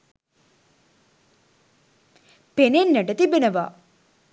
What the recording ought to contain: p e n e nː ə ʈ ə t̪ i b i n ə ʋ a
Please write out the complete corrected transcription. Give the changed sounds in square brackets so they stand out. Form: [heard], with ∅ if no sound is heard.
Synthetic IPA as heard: p e n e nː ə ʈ ə t̪ i b [e] n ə ʋ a